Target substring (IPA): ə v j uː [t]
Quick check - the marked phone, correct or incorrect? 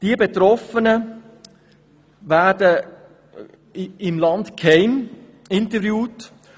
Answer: correct